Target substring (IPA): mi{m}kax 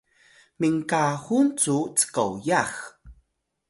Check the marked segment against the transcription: incorrect: ŋ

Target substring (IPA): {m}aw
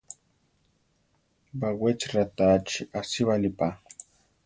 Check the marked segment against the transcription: incorrect: b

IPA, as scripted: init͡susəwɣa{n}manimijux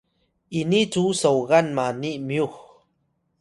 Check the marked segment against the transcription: correct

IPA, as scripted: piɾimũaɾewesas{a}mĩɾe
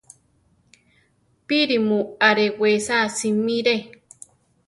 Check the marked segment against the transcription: incorrect: i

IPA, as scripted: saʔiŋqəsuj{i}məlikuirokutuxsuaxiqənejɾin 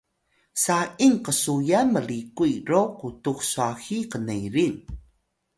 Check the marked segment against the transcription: incorrect: a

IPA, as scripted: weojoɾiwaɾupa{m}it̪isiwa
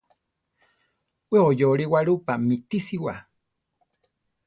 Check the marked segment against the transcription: correct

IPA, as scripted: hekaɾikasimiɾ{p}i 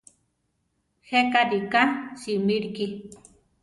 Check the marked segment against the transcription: incorrect: k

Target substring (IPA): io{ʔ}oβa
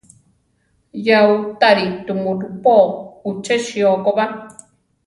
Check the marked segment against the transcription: incorrect: k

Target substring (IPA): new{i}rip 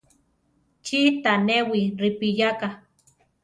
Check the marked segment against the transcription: correct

